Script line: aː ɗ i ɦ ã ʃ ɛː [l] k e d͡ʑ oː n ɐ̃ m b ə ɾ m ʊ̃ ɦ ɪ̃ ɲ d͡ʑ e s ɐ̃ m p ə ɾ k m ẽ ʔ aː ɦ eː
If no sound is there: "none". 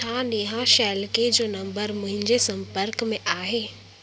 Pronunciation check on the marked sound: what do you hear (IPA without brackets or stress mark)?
l